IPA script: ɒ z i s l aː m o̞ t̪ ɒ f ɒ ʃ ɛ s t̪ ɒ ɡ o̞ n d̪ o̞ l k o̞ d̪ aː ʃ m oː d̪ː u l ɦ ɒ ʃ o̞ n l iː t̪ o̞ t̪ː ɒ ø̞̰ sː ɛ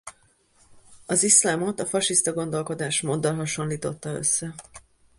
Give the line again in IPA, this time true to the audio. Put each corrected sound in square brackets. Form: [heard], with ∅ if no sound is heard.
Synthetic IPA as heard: ɒ z i s l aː m o̞ t̪ ɒ f ɒ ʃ [i] s t̪ ɒ ɡ o̞ n d̪ o̞ l k o̞ d̪ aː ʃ m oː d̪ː [ɒ] l ɦ ɒ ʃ o̞ n l iː t̪ o̞ t̪ː ɒ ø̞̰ sː ɛ